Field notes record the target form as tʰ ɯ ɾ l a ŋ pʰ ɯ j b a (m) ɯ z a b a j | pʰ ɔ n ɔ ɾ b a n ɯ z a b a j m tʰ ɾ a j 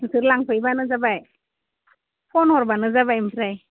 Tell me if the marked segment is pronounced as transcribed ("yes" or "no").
no